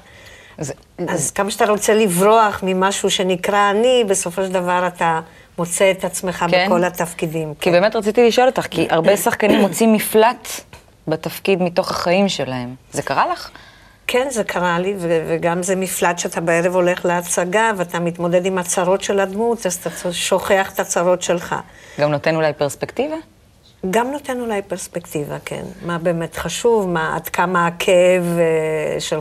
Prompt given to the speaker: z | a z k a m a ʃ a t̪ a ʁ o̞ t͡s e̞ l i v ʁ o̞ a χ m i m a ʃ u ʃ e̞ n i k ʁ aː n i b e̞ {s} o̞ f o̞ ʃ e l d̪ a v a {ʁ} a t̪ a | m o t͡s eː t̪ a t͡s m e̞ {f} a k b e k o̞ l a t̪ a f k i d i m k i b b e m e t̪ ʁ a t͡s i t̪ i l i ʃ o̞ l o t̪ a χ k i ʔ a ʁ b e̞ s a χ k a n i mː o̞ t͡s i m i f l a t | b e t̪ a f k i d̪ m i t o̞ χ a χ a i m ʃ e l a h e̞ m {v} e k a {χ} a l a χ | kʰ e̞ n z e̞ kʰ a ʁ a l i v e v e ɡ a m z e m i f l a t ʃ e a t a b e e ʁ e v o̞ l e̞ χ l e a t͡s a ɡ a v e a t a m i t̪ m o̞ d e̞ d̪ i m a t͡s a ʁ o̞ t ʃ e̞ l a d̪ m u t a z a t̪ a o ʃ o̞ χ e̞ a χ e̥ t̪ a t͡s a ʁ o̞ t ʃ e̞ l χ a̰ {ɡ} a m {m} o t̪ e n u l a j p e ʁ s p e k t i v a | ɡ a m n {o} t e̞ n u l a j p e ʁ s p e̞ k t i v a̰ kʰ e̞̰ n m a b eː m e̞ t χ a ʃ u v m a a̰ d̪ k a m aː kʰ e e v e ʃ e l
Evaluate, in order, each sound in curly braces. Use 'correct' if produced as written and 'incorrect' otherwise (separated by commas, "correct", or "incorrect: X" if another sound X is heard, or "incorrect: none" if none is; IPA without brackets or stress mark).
correct, correct, incorrect: χ, incorrect: z, incorrect: ʁ, correct, incorrect: n, correct